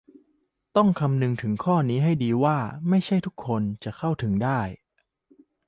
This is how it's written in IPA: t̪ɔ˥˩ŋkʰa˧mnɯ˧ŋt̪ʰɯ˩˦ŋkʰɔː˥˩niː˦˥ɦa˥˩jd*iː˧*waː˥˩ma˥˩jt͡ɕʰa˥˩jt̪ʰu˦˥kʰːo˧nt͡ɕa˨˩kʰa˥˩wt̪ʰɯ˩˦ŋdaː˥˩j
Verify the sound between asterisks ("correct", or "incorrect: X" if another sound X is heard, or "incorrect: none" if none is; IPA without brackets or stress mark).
correct